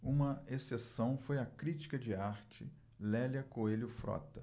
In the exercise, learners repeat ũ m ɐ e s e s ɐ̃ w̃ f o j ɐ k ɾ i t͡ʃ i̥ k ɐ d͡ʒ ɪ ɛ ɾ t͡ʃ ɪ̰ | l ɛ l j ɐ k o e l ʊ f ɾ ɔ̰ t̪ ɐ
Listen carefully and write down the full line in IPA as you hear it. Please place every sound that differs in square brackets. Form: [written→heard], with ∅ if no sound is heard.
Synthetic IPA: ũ m ɐ e s e s ɐ̃ w̃ f o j ɐ k ɾ i t͡ʃ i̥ k ɐ d͡ʒ ɪ [ɛ→a] ɾ t͡ʃ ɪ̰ | l ɛ l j ɐ k o e l ʊ f ɾ ɔ̰ t̪ ɐ